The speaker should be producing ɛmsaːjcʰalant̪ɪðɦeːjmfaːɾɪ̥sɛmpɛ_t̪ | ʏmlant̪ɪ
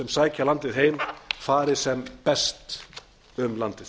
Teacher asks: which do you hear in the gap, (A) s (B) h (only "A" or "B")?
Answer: A